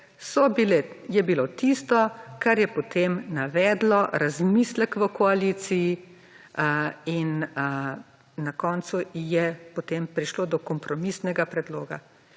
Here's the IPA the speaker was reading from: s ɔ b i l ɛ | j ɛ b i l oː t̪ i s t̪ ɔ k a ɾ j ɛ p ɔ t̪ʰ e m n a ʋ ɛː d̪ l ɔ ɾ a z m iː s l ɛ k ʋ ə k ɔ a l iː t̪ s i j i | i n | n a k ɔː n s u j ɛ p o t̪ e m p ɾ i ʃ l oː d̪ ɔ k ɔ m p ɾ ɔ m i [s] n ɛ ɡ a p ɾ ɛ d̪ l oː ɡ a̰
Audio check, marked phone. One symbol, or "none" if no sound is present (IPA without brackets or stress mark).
s